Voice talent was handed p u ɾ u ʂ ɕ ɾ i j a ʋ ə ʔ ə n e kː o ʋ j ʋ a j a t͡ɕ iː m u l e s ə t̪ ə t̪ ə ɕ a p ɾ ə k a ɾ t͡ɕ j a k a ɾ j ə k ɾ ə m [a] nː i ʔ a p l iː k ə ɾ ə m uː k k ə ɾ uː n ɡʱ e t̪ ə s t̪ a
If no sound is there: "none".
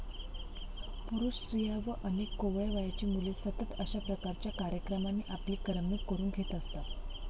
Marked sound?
a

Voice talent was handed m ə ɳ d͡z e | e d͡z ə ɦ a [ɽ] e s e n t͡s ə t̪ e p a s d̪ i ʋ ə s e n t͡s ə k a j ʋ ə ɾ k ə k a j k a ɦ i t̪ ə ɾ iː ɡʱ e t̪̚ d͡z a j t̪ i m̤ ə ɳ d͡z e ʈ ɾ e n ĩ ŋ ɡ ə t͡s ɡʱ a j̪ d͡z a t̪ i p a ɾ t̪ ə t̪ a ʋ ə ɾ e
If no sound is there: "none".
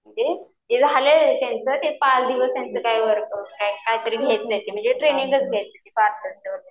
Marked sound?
l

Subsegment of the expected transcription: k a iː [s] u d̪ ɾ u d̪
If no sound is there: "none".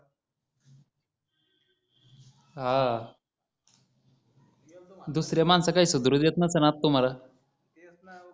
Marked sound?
s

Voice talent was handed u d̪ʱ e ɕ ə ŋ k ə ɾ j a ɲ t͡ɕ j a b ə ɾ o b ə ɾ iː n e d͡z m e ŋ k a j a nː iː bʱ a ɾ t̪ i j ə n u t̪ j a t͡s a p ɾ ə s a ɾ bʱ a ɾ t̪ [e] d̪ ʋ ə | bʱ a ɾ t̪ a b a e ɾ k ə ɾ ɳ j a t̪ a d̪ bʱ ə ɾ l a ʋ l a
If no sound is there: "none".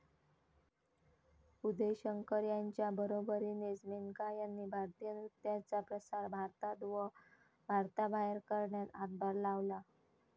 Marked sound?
a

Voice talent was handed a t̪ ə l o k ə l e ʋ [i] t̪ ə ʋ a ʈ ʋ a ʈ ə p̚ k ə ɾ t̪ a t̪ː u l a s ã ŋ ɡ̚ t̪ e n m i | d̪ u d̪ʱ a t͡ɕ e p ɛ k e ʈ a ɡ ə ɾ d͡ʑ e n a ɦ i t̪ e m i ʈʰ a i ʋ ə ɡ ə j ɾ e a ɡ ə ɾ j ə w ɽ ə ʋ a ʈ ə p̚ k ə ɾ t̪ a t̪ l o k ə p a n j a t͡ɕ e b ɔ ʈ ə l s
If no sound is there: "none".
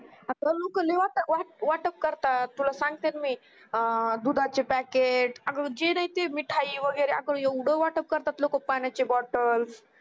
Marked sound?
a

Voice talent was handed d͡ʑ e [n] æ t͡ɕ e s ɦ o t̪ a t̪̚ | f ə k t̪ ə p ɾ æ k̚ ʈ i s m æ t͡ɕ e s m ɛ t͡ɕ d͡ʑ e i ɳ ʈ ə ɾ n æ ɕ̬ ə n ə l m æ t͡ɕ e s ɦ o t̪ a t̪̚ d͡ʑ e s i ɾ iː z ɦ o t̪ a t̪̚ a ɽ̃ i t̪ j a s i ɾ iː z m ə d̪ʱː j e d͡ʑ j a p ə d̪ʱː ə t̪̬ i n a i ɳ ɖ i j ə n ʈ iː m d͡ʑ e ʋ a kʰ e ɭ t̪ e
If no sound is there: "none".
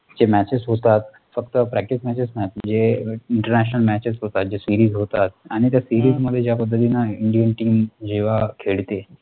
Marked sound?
m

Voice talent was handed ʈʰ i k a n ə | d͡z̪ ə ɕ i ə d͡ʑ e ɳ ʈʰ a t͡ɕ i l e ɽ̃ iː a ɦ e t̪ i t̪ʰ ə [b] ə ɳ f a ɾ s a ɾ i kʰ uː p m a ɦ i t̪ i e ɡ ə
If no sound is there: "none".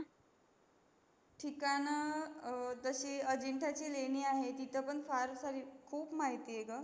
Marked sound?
p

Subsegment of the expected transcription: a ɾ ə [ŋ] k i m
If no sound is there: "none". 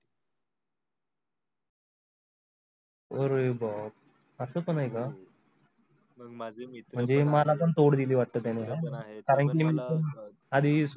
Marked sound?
ɳ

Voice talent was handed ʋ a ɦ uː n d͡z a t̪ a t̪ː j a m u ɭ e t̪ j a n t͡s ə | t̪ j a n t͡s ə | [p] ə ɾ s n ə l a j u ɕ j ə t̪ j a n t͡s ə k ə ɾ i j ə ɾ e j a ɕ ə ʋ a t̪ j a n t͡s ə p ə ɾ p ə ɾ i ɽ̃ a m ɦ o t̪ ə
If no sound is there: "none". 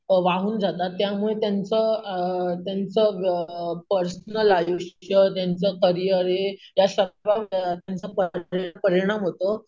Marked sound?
p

